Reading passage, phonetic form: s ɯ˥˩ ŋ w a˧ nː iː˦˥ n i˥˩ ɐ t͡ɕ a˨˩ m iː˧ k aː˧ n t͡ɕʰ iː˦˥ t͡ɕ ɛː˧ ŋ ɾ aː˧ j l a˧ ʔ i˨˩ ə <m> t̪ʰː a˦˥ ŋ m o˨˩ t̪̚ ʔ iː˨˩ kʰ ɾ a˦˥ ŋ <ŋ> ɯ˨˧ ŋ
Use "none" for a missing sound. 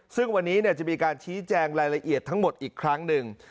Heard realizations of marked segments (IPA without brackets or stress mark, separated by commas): none, n